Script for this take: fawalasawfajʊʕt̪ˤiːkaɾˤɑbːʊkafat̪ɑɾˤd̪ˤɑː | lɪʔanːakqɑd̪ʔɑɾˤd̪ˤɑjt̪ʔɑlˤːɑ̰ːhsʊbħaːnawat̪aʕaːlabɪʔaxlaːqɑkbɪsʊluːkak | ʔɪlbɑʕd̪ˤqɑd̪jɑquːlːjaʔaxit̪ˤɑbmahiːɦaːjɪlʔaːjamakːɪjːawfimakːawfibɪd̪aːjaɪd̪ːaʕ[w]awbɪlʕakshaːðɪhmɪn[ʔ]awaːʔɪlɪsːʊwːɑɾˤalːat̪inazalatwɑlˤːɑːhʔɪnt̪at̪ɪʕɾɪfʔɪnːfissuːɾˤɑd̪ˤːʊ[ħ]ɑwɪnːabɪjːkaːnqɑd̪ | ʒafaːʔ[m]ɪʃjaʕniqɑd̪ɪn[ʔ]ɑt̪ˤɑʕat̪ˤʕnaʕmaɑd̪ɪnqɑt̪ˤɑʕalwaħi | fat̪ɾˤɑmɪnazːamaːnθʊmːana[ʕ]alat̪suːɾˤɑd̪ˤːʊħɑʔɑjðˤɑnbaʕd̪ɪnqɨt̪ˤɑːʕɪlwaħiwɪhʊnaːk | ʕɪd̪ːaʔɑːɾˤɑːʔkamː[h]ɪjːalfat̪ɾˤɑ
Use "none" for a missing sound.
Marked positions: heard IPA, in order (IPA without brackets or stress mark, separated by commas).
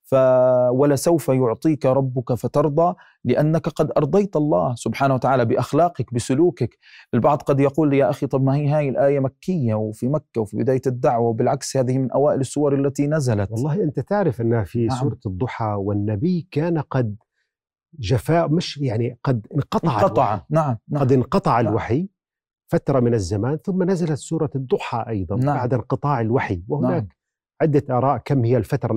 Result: w, ʔ, ħ, m, q, z, h